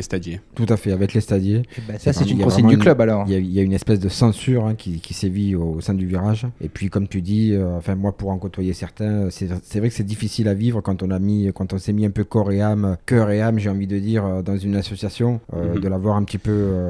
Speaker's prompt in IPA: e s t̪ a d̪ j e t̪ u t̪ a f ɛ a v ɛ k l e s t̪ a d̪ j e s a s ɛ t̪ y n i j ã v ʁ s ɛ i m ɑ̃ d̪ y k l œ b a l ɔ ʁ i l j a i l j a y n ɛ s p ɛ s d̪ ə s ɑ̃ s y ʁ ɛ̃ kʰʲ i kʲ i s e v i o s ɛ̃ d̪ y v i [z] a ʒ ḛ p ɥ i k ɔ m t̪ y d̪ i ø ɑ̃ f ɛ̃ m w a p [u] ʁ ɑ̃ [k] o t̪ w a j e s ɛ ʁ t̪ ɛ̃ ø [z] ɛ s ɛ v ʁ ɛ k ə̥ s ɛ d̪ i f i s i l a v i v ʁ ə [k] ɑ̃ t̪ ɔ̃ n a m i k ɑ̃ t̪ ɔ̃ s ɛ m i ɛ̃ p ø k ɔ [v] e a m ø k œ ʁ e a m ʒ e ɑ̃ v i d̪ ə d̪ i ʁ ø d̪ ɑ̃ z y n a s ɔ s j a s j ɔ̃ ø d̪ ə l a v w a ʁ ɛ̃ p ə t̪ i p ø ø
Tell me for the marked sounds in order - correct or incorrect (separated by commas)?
incorrect, correct, correct, incorrect, correct, incorrect